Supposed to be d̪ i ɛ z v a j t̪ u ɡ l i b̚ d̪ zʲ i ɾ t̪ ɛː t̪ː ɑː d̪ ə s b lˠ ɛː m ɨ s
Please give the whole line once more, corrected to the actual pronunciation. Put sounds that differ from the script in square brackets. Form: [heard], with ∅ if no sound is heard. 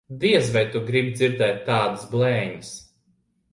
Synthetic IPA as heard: d̪ i ɛ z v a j t̪ u ɡ [ɾ] i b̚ d̪ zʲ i ɾ [d̪] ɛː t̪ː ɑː d̪ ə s b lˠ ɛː [ɲ] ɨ s